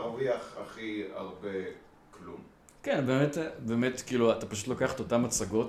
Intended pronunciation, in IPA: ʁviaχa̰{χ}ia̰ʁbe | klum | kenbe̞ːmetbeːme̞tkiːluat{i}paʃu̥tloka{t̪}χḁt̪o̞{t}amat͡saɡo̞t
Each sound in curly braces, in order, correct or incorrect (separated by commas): correct, incorrect, incorrect, correct